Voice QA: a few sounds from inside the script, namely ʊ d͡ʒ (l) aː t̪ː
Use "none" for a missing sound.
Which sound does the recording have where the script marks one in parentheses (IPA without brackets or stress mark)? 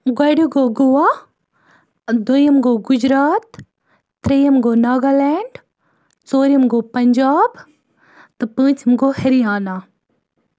ɾ